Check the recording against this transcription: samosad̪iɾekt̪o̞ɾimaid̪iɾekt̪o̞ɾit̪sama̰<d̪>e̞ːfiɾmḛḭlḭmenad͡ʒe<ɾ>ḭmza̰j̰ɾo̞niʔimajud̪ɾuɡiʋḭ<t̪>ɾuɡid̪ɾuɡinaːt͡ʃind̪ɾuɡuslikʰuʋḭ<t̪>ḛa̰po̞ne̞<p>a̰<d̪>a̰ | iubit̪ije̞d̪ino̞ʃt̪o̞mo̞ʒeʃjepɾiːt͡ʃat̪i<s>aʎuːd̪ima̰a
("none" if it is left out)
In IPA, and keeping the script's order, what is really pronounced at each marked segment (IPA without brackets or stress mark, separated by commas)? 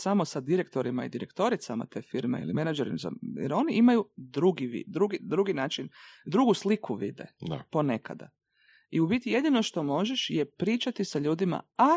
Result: t̪, ɾ, d̪, d̪, k, d̪, s